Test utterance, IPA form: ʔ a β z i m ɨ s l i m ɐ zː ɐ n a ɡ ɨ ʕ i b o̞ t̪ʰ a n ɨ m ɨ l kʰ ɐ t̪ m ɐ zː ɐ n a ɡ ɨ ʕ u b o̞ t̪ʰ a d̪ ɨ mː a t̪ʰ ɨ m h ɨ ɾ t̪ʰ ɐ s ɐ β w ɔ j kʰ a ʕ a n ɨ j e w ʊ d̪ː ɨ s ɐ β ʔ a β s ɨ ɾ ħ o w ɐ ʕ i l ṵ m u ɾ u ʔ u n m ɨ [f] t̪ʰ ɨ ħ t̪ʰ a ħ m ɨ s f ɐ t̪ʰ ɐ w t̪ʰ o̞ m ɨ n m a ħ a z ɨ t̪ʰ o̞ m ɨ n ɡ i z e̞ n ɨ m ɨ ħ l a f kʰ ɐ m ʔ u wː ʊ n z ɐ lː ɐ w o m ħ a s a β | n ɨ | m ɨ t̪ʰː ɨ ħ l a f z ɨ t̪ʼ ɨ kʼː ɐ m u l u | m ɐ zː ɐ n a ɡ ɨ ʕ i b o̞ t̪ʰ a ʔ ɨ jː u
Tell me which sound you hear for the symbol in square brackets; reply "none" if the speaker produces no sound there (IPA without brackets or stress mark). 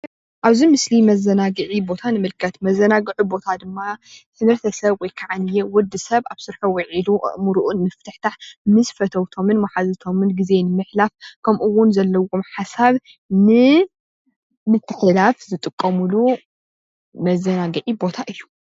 f